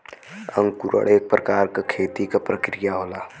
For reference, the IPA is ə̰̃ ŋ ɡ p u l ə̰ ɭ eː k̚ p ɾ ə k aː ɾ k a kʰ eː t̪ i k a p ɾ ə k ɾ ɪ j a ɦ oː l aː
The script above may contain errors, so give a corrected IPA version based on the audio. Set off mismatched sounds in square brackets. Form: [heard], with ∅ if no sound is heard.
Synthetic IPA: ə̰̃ ŋ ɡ [k] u [ɾ] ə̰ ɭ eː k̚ p ɾ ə k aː ɾ k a kʰ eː t̪ i k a p ɾ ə k ɾ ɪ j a ɦ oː l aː